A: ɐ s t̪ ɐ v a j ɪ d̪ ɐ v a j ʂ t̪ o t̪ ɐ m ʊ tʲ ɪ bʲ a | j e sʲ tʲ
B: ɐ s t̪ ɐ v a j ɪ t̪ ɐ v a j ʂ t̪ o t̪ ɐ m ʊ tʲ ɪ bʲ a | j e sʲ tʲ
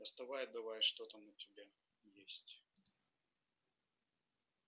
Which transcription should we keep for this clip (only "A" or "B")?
A